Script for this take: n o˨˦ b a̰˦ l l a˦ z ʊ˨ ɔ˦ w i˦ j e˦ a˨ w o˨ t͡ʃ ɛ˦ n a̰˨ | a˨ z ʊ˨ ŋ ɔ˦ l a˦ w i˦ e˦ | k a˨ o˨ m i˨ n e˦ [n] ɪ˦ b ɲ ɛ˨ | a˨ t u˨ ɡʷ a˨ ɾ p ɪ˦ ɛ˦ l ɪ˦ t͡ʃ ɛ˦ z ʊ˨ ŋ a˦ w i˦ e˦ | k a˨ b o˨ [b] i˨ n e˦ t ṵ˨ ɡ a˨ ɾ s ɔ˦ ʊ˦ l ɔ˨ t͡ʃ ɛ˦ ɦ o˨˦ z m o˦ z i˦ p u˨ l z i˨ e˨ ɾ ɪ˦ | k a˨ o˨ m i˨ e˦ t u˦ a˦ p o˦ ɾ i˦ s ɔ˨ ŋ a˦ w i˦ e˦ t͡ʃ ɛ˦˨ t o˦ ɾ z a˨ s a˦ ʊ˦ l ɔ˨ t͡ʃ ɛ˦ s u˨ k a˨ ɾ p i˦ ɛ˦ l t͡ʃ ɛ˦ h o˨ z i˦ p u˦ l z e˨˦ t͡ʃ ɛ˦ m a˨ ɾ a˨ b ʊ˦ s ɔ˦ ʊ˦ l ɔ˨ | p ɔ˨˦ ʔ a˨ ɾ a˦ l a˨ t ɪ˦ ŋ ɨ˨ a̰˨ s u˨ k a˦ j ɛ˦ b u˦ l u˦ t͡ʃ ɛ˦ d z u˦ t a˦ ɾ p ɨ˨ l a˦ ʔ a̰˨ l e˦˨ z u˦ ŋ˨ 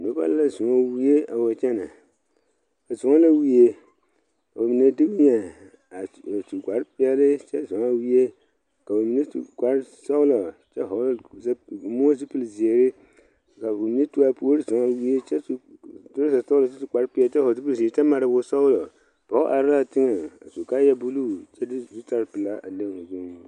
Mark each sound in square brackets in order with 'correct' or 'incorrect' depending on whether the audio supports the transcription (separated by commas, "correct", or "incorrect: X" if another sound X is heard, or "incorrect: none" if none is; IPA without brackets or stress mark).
incorrect: d, incorrect: m